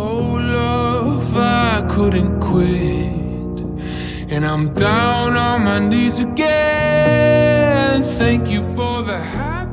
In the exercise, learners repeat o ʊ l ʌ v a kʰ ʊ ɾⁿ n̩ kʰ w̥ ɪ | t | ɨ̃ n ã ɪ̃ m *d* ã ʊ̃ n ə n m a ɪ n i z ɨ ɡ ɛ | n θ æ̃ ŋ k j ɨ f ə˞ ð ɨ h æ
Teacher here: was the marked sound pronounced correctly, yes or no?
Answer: yes